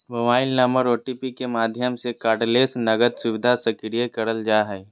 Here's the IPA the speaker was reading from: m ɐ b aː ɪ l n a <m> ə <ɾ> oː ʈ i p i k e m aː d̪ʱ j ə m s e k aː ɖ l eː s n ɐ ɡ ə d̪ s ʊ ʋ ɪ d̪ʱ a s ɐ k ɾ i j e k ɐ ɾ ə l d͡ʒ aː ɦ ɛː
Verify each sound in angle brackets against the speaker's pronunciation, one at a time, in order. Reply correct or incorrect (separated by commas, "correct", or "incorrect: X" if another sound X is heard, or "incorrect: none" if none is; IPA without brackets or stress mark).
correct, correct